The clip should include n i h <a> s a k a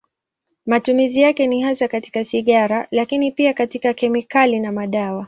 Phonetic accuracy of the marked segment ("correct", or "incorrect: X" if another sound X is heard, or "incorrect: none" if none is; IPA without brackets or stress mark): correct